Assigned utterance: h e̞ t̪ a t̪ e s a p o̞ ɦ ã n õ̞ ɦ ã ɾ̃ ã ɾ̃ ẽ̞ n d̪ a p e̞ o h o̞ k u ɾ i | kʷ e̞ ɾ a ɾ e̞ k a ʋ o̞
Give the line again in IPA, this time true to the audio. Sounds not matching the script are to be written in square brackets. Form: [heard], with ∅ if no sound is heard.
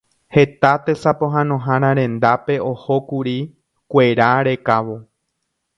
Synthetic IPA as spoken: h e̞ t̪ a t̪ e s a p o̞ ɦ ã n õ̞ ɦ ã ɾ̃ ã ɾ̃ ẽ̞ n d̪ a p e̞ o h o̞ k u ɾ i | kʷ e̞ ɾ a ɾ e̞ k a ʋ o̞